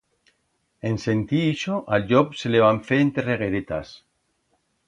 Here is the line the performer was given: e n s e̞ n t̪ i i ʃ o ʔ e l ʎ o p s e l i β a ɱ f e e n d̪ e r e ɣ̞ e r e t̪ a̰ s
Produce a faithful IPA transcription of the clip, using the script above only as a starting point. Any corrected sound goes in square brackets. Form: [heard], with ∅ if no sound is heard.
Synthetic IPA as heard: e n s e̞ n t̪ i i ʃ o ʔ [a] l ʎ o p s e l [e] β a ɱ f e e n [t̪] e r e ɣ̞ e [ɾ] e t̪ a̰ s